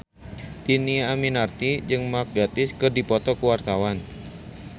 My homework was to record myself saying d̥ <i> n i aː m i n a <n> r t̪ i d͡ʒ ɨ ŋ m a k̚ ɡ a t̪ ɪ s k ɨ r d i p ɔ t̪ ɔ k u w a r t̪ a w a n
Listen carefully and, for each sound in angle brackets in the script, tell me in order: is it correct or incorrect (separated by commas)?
correct, incorrect